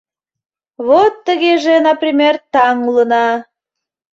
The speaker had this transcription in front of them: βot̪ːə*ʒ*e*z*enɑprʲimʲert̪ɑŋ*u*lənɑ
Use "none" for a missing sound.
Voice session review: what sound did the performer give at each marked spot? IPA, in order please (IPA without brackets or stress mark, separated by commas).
ɣ, ʒ, u